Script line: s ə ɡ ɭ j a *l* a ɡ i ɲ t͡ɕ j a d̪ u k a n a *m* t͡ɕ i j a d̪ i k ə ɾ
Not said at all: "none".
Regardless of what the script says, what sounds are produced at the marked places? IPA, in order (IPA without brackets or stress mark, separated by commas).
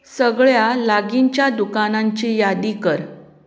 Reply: l, ɲ